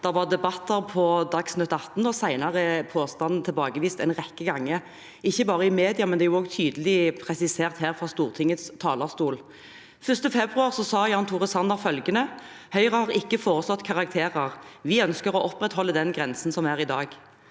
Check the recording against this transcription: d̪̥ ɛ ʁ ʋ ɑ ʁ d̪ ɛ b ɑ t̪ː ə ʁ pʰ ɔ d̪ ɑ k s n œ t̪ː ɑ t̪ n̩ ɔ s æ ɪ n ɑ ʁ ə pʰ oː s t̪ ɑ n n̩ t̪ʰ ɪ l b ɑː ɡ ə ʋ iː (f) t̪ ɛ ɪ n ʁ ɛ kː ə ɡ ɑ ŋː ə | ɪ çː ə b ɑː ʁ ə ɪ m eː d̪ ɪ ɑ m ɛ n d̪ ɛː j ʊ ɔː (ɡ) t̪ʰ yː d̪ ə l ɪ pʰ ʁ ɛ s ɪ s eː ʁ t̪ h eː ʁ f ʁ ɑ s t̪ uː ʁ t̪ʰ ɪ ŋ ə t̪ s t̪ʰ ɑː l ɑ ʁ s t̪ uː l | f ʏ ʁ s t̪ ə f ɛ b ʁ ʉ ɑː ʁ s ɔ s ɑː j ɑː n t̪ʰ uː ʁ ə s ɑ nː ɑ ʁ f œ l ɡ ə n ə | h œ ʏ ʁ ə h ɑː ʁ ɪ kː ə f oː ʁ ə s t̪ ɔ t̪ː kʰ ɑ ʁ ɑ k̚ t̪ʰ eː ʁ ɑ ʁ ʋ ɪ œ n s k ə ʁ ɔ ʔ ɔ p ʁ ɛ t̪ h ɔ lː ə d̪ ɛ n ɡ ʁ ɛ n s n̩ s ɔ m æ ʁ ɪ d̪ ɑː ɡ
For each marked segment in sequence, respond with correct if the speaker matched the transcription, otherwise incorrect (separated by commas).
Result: incorrect, correct